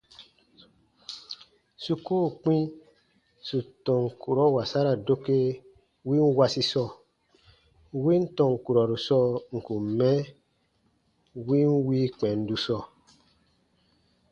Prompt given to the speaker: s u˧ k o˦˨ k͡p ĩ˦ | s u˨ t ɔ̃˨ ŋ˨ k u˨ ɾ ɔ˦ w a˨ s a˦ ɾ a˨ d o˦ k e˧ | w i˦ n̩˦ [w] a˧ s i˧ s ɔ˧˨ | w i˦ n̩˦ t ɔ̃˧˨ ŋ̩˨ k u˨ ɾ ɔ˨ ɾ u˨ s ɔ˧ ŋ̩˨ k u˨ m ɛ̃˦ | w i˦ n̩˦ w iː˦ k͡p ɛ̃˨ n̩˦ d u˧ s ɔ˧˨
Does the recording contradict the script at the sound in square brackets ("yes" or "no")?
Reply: no